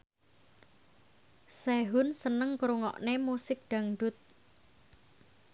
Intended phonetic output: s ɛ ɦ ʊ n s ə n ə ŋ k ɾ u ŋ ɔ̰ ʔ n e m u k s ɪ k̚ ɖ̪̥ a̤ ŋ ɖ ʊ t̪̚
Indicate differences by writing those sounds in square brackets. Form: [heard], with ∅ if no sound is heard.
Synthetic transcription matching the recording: s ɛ ɦ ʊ n s ə n ə ŋ k ɾ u ŋ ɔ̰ ʔ n e m u [∅] s ɪ k̚ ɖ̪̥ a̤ ŋ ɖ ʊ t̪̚